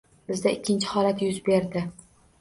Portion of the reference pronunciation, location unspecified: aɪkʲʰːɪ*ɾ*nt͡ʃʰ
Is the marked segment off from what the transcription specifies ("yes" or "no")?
yes